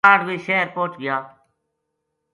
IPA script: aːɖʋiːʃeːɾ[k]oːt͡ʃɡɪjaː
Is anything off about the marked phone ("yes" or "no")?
yes